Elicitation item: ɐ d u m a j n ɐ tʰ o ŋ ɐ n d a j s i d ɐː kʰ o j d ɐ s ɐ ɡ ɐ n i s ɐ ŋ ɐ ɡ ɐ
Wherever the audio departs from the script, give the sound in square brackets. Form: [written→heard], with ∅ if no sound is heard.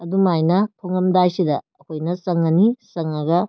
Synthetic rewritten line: ɐ d u m a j n ɐ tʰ o ŋ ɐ [n→m] d a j s i d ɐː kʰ o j [d→n] ɐ s ɐ [ɡ→ŋ] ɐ n i s ɐ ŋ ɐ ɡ ɐ